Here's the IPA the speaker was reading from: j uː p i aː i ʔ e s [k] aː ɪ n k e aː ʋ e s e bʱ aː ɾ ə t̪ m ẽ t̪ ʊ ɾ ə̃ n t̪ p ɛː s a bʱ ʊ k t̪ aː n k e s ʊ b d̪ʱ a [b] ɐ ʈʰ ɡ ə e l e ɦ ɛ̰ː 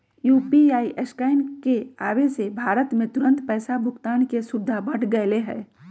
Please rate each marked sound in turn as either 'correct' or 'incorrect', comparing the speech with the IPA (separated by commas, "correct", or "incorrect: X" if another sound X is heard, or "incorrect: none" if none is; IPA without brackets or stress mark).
correct, correct